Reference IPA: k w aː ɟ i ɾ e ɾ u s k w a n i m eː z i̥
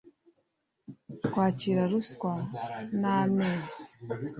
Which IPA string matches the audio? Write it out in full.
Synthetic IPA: k w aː c i ɾ a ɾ u s k w a n a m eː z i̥